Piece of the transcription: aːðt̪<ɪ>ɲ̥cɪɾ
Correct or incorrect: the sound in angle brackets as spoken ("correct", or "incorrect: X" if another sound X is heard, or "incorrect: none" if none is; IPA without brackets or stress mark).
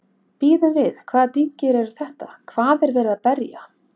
incorrect: i